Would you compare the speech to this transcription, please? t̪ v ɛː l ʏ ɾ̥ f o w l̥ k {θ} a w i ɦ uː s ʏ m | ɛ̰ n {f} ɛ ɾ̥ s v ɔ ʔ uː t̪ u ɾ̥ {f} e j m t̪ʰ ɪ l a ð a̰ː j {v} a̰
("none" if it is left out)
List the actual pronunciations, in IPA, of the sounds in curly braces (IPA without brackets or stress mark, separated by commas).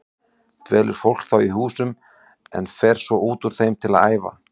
θ, f, θ, v